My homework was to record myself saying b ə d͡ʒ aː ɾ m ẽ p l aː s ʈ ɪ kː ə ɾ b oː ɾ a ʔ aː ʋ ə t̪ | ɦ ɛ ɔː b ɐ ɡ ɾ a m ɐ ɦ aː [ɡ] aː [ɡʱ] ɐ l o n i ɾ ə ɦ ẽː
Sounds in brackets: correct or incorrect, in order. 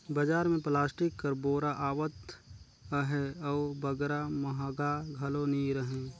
correct, correct

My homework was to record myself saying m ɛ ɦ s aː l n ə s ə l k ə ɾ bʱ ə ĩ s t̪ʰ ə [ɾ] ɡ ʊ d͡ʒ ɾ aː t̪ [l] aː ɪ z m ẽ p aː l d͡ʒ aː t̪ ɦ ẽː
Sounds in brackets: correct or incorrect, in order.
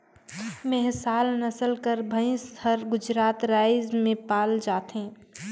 correct, incorrect: ɾ

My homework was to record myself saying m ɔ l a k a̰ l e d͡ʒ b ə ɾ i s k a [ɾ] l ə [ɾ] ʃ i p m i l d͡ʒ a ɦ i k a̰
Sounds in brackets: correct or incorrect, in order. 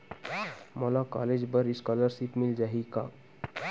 incorrect: none, correct

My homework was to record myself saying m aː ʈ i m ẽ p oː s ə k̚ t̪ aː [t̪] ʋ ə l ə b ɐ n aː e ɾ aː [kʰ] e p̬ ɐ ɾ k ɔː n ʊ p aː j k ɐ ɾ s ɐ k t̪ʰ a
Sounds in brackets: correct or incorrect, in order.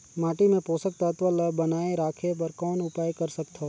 correct, correct

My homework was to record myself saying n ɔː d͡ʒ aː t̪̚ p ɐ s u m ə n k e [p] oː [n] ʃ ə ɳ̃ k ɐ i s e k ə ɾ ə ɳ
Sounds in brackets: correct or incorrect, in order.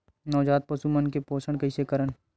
correct, incorrect: none

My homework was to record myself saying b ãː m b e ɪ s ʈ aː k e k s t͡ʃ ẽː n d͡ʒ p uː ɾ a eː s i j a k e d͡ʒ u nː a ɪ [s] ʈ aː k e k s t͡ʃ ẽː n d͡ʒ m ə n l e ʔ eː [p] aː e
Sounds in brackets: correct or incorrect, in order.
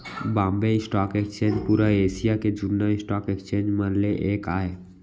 correct, incorrect: k

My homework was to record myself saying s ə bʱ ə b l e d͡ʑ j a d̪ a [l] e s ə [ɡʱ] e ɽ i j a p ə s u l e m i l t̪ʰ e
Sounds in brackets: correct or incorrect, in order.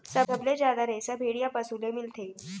incorrect: ɾ, incorrect: bʱ

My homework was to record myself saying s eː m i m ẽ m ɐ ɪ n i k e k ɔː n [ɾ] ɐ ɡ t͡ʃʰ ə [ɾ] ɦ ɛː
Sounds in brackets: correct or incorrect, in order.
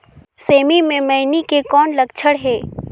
incorrect: l, incorrect: ɽ

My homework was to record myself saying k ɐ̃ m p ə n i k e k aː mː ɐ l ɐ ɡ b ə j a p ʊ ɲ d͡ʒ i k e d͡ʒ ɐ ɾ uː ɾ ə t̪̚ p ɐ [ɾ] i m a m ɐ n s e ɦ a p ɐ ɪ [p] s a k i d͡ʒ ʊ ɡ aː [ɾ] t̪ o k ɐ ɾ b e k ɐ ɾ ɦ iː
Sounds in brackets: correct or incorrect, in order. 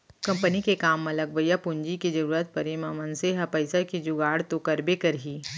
correct, incorrect: none, incorrect: ɽ

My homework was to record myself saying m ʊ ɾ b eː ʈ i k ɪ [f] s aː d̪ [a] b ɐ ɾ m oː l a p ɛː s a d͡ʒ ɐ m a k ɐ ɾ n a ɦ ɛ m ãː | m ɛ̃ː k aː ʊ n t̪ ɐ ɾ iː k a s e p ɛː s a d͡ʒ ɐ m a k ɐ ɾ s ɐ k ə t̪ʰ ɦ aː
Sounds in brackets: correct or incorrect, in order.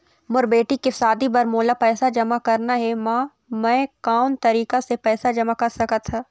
correct, incorrect: i

